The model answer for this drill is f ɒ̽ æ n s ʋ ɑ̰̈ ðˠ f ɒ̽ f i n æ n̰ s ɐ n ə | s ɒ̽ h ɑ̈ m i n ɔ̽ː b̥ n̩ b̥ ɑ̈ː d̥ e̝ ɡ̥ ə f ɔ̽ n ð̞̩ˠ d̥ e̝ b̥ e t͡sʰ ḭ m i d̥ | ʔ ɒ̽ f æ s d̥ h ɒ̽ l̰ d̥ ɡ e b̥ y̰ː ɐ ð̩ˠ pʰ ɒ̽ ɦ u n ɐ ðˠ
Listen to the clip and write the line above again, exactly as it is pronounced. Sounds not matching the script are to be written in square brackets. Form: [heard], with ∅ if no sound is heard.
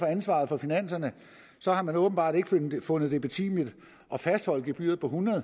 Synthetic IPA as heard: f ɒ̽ æ n s ʋ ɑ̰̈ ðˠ f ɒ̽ f i n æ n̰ s ɐ n ə | s ɒ̽ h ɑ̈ m [æ] n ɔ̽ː b̥ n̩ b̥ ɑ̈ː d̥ e̝ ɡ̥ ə f ɔ̽ n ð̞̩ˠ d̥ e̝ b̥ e t͡sʰ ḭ m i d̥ | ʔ ɒ̽ f æ s d̥ h ɒ̽ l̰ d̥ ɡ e b̥ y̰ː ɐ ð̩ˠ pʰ ɒ̽ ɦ u n ɐ ðˠ